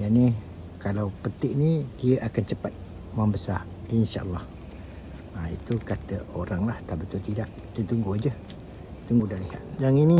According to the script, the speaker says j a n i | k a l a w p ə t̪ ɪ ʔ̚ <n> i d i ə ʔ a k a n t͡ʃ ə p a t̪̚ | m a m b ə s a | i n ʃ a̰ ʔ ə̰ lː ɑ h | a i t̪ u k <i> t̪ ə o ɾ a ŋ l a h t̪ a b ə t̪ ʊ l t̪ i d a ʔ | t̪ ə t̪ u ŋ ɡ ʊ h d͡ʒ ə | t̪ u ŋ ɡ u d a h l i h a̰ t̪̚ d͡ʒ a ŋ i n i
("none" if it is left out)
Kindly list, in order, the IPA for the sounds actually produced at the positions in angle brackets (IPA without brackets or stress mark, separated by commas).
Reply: n, a